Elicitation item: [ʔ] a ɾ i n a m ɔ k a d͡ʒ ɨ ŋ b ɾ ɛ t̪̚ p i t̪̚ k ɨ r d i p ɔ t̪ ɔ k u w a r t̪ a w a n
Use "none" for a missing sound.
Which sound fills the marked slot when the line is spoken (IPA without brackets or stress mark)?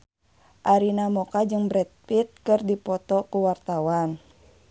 ʔ